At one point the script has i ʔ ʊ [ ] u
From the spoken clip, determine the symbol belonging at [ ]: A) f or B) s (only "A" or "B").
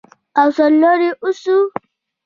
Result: B